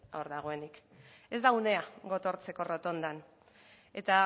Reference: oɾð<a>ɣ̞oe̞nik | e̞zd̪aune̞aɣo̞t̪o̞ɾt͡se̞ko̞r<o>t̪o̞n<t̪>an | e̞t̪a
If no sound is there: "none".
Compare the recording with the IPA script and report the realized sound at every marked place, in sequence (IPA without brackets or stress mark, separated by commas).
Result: a, o, d̪